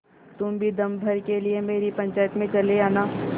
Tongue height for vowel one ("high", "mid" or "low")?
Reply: high